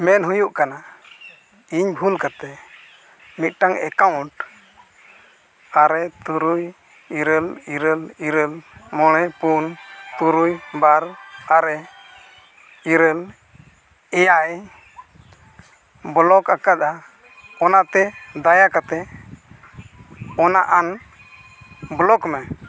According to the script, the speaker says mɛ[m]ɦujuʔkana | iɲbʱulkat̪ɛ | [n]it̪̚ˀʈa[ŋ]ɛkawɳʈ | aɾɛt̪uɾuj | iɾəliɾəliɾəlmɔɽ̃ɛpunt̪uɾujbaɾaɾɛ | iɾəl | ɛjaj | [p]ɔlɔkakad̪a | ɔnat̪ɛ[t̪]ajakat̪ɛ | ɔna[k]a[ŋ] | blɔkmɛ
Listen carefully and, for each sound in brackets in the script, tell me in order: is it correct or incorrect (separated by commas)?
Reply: incorrect, incorrect, correct, incorrect, incorrect, incorrect, incorrect